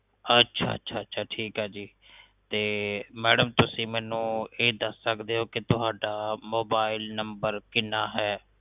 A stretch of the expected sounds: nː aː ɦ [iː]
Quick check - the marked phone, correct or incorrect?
incorrect: ɛː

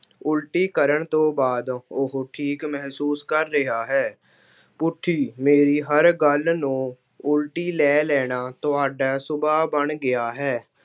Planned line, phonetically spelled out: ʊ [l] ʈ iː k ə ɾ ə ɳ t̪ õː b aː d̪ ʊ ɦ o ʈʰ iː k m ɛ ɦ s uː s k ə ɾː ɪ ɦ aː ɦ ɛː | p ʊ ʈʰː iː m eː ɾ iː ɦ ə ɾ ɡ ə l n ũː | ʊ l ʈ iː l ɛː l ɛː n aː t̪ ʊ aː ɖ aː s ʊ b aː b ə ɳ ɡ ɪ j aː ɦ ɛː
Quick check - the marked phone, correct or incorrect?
correct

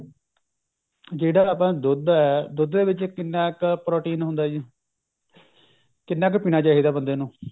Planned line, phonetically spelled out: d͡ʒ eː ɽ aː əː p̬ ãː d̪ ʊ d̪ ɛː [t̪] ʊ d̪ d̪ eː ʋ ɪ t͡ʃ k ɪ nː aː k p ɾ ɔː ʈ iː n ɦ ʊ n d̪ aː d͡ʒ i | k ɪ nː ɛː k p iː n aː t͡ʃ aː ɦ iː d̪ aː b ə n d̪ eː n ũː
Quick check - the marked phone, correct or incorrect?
incorrect: d̪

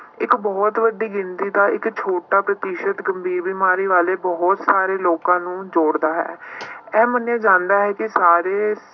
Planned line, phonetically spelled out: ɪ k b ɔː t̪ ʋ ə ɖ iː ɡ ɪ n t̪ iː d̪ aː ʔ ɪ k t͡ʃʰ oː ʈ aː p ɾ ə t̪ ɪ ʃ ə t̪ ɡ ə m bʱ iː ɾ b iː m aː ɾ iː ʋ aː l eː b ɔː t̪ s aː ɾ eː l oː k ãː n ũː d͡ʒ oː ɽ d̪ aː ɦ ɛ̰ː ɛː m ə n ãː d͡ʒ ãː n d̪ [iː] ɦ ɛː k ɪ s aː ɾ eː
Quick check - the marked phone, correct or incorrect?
incorrect: aː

